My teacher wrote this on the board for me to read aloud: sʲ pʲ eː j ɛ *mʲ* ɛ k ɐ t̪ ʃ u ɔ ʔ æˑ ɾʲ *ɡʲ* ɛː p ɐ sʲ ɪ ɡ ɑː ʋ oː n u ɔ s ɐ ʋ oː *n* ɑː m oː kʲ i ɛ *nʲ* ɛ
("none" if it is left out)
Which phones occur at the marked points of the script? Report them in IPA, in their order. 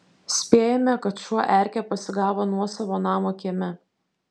mʲ, kʲ, n, mʲ

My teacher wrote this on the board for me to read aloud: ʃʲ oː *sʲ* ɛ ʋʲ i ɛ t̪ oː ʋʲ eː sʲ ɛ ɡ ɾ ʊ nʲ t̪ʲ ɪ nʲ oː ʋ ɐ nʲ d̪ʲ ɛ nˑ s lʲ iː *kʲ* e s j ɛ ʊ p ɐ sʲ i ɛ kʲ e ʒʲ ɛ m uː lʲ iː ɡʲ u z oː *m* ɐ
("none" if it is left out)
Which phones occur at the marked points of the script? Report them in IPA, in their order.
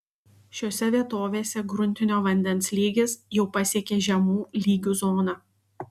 sʲ, ɡʲ, n

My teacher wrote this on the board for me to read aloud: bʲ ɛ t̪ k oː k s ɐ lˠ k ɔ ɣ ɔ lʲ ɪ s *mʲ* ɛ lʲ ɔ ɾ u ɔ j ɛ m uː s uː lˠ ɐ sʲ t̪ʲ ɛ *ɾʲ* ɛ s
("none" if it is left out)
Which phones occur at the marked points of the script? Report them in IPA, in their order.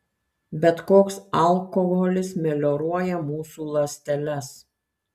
mʲ, lʲ

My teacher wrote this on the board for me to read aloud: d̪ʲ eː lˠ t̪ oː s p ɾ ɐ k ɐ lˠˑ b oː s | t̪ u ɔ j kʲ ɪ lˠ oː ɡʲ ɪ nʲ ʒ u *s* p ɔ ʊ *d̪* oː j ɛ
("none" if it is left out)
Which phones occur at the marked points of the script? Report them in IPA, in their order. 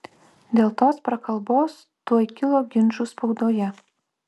s, d̪

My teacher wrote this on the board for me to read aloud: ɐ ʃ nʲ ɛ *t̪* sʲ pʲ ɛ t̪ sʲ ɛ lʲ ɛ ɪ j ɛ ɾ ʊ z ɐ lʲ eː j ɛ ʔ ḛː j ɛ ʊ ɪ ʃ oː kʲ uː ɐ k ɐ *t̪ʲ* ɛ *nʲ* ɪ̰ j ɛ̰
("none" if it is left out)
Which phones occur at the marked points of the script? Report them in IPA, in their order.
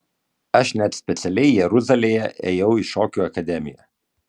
t̪, d̪ʲ, mʲ

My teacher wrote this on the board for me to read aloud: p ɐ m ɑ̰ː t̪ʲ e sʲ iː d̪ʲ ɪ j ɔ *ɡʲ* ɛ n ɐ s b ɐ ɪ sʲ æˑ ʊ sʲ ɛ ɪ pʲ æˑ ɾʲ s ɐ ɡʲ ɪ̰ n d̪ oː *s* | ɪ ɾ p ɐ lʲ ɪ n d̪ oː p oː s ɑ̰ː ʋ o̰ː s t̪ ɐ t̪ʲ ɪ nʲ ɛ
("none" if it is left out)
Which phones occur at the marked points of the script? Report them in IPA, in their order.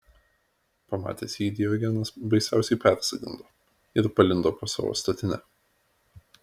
ɡʲ, none

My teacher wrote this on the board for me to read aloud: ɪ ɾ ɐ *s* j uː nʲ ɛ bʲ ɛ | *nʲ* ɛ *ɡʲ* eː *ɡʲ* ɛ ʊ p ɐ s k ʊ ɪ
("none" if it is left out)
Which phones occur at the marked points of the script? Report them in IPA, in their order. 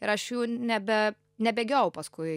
ʃ, nʲ, bʲ, ɡʲ

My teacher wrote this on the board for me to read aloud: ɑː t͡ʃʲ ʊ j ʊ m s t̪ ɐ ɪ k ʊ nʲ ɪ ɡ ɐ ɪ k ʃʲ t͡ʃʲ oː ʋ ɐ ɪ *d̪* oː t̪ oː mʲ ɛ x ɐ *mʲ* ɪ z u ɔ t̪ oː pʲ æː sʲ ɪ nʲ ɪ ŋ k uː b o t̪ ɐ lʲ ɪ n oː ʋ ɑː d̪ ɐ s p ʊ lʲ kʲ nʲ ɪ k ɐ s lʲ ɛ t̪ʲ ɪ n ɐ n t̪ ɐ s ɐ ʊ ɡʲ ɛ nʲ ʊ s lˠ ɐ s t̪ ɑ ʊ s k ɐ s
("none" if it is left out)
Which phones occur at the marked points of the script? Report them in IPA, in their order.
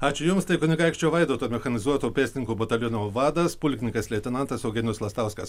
d̪, nʲ

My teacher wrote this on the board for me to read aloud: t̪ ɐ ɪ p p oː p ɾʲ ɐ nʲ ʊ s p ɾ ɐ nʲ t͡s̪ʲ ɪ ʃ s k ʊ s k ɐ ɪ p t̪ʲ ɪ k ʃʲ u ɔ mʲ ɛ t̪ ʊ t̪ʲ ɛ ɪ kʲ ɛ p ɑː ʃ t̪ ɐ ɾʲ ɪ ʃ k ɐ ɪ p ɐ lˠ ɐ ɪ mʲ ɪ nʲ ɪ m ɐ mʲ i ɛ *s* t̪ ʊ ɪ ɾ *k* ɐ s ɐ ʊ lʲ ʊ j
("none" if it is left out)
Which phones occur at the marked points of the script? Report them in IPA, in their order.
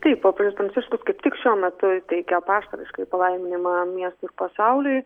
s, p

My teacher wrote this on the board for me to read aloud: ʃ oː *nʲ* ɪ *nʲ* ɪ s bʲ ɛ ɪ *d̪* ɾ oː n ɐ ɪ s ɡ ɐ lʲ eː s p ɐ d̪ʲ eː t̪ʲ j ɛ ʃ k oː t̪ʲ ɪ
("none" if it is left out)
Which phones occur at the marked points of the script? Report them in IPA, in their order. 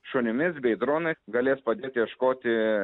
nʲ, mʲ, d̪

